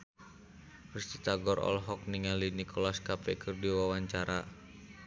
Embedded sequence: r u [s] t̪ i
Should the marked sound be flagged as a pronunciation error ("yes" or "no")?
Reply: no